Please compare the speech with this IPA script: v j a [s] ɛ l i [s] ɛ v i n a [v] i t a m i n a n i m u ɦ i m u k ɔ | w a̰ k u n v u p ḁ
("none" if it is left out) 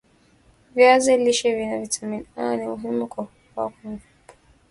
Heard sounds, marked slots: z, ʃ, v

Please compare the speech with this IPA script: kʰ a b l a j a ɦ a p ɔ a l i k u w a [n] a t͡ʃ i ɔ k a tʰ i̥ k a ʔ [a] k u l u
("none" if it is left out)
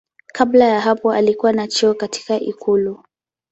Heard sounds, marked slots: n, i

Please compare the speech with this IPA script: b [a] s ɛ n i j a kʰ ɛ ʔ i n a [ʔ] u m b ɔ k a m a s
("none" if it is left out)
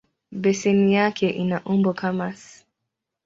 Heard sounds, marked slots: ɛ, ʔ

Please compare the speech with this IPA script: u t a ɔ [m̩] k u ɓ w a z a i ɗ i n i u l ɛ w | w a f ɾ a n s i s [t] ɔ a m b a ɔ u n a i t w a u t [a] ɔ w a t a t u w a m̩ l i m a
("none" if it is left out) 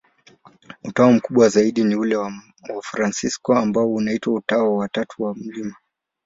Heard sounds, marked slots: m̩, k, a

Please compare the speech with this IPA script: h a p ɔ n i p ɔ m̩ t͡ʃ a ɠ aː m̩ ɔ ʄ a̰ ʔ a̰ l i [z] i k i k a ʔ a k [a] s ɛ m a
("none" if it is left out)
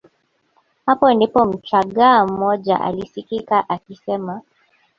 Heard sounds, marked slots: s, i

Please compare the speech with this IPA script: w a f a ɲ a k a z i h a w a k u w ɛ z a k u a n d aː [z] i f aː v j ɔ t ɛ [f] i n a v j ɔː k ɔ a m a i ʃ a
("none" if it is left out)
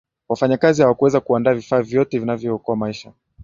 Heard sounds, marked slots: v, v

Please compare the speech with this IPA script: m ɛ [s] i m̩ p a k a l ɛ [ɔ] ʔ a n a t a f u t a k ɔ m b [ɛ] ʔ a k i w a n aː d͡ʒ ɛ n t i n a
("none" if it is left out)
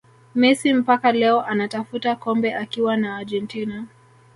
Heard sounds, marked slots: s, ɔ, ɛ

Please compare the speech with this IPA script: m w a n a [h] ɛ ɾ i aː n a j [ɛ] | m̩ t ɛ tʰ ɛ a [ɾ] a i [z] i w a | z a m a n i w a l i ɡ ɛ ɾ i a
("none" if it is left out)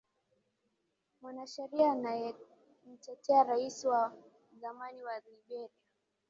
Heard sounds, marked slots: ʃ, ɛ, ɾ, s

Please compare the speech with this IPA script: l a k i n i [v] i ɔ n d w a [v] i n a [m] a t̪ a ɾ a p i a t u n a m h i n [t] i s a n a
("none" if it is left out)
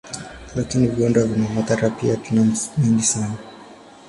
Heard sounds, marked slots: v, v, m, d

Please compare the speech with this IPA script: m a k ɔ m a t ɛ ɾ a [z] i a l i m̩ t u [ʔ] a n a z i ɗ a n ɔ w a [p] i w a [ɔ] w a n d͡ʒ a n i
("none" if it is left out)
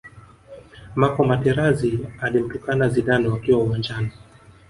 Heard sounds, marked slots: z, k, k, u

